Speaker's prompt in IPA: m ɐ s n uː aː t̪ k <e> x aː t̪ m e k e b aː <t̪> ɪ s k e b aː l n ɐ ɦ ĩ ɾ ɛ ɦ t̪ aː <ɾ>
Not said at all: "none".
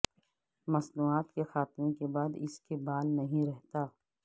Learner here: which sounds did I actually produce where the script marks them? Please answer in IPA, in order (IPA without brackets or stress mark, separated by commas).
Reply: e, d̪, none